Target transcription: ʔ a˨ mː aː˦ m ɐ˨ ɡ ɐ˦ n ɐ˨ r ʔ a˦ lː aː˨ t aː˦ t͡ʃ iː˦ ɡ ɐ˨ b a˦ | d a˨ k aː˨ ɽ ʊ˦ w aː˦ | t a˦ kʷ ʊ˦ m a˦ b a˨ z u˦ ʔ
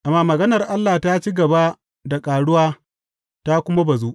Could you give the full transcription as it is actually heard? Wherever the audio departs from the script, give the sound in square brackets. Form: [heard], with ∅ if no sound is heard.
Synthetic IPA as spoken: ʔ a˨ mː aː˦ m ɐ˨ ɡ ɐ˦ n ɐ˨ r ʔ a˦ lː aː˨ t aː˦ t͡ʃ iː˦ ɡ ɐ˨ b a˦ | d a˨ [kʼ] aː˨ ɽ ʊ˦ w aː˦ | t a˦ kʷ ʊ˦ m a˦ b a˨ z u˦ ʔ